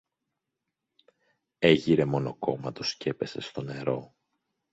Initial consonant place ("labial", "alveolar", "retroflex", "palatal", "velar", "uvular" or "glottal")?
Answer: palatal